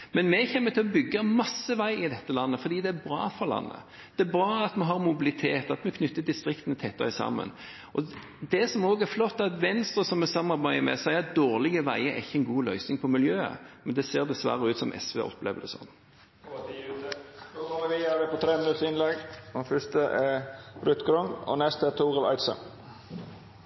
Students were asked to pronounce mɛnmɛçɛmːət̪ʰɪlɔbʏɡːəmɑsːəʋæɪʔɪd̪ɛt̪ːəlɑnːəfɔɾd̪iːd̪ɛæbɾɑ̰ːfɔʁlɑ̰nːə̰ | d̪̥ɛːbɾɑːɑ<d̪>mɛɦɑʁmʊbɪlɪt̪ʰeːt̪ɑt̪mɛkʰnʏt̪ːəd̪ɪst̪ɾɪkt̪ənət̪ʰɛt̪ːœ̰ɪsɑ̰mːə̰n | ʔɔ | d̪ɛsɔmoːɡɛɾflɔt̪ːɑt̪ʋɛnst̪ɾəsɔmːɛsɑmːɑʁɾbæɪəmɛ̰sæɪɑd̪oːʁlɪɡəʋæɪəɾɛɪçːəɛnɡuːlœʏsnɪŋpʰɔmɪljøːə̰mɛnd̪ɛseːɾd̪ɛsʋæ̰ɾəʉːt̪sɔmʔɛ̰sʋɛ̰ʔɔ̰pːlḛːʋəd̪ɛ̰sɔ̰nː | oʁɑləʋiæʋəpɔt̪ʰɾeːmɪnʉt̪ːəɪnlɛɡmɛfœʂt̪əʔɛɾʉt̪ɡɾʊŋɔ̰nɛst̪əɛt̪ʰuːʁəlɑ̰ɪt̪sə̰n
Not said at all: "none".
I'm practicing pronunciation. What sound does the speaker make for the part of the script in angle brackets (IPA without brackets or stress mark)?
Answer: t̪